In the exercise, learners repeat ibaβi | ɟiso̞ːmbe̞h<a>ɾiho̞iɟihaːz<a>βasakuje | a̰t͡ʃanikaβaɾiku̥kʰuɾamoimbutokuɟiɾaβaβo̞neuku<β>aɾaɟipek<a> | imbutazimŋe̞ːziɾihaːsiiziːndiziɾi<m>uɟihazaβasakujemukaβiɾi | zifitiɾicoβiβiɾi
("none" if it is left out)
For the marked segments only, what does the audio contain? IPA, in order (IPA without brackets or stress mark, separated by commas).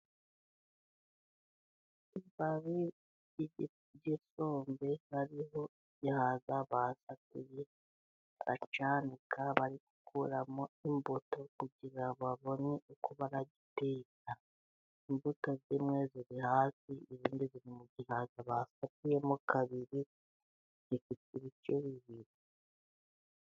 a, a, β, a, m